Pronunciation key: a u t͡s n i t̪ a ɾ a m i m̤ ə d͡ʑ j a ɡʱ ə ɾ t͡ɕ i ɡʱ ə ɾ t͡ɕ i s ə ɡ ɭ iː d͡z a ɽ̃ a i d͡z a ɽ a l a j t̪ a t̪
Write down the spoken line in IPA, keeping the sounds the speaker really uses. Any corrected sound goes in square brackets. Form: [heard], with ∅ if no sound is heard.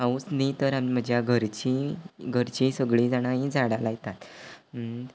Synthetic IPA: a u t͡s n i t̪ [ə] ɾ a m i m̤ ə d͡ʑ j a ɡʱ ə ɾ t͡ɕ i ɡʱ ə ɾ t͡ɕ i s ə ɡ ɭ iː d͡z a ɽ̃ a i d͡z a ɽ a l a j t̪ a t̪